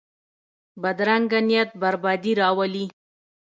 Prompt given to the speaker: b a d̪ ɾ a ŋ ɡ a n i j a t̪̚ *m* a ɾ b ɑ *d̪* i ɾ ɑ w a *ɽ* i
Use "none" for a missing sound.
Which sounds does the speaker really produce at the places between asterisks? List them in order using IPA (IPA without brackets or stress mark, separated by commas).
b, d̪, l